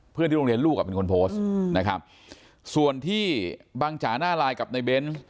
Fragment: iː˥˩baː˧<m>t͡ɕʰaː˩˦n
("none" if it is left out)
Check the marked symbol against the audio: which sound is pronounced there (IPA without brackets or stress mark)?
ŋ